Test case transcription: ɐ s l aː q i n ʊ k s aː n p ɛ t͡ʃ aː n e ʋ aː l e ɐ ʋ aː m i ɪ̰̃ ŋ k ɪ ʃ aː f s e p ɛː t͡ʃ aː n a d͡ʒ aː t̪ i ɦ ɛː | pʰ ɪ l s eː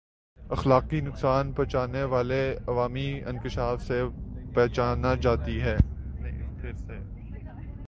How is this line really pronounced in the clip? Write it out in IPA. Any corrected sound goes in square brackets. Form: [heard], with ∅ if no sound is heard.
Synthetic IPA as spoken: ɐ [x] l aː q i n ʊ k s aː n p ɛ t͡ʃ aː n e ʋ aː l e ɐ ʋ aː m i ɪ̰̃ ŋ k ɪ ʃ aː f s e p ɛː t͡ʃ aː n a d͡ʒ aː t̪ i ɦ ɛː | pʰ ɪ [ɾ] s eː